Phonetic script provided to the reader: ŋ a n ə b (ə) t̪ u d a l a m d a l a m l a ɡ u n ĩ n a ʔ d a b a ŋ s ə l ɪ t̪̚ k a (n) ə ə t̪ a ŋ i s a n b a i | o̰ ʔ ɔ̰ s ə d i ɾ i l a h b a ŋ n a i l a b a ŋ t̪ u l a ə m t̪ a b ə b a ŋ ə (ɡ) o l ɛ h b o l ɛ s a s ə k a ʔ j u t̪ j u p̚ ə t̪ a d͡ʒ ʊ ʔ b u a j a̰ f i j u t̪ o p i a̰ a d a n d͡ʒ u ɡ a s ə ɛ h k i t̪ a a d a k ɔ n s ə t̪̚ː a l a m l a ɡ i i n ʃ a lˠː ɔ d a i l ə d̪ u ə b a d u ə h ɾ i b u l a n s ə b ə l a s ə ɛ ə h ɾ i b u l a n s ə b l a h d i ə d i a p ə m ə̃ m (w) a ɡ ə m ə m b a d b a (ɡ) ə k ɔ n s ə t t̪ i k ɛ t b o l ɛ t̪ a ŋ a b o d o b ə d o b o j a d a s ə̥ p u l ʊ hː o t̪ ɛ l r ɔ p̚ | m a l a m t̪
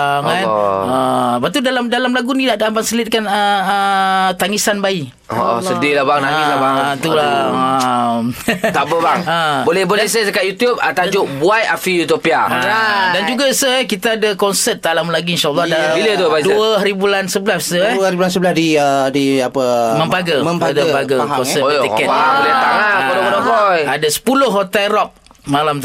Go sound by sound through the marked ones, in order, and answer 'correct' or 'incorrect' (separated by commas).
incorrect, correct, incorrect, incorrect, correct